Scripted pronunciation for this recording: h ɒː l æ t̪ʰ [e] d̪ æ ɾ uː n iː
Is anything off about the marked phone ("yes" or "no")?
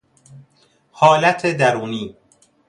no